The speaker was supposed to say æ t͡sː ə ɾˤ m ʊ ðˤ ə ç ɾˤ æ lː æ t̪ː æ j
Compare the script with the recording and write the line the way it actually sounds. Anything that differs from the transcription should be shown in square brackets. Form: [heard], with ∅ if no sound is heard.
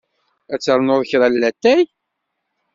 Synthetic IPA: æ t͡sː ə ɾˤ [n] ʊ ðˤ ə ç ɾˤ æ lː æ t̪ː æ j